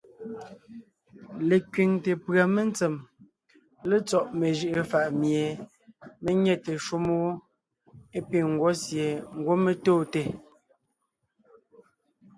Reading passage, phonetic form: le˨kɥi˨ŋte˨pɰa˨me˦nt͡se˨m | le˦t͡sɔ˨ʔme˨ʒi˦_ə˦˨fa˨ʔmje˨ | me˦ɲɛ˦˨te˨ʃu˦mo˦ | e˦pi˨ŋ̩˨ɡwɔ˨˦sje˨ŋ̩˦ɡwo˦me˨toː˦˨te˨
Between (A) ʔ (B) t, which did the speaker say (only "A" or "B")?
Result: A